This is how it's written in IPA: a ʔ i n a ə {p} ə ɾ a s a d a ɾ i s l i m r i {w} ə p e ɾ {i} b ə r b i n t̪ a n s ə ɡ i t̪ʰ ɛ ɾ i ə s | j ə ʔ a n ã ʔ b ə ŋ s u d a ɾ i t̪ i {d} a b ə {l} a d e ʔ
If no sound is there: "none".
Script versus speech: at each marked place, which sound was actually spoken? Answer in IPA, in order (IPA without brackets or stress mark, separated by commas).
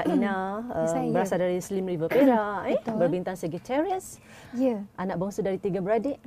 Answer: b, v, a, ɡ, ɾ